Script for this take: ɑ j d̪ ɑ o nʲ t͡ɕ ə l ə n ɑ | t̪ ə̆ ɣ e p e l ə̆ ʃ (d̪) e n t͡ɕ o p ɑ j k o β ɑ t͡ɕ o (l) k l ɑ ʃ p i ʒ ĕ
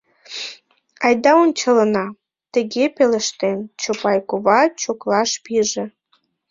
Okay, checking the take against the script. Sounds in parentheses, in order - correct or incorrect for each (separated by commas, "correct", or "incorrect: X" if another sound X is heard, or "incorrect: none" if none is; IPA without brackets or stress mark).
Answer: incorrect: t̪, incorrect: none